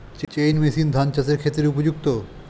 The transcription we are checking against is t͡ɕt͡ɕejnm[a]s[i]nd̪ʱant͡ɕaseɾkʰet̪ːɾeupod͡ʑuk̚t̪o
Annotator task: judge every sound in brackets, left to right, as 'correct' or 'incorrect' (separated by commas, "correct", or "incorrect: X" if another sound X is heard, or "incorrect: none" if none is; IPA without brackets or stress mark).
incorrect: e, correct